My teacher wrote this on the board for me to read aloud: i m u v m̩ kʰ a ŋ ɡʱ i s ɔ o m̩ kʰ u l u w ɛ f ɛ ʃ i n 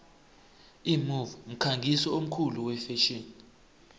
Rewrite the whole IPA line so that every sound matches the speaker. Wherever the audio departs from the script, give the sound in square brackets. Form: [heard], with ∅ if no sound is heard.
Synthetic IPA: i m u v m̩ kʰ a ŋ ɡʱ i s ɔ o m̩ kʰ u l u w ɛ f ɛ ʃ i n